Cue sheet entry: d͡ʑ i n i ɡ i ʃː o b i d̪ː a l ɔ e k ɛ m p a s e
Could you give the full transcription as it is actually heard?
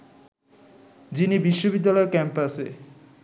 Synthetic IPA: d͡ʑ i n i b i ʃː o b i d̪ː a l ɔ e k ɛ m p a s e